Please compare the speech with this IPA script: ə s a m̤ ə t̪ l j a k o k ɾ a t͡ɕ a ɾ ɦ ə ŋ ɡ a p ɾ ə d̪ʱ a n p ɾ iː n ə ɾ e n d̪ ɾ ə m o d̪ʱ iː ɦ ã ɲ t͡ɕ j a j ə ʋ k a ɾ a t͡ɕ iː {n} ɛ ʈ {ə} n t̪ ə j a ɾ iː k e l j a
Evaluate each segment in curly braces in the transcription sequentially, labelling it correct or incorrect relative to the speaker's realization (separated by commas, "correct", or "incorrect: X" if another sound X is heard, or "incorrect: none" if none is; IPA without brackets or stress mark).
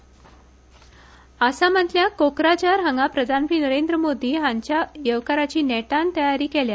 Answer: correct, incorrect: a